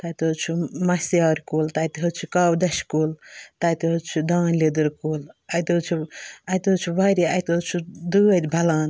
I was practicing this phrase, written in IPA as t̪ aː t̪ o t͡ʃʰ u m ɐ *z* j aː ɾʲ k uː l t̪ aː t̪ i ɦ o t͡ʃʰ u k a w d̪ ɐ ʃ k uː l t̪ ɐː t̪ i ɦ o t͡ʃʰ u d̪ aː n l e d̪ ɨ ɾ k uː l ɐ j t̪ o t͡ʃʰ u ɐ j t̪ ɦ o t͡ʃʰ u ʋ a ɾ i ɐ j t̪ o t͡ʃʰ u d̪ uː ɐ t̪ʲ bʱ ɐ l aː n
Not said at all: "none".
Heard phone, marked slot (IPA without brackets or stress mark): s